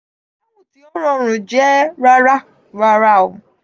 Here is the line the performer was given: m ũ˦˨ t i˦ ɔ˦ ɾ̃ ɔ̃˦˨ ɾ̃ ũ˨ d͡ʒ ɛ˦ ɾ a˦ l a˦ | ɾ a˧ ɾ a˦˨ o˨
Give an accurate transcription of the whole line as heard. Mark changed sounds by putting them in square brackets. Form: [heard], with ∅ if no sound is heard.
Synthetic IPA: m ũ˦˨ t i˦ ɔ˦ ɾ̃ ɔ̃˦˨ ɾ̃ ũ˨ d͡ʒ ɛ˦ ɾ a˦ [ɾ] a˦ | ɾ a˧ ɾ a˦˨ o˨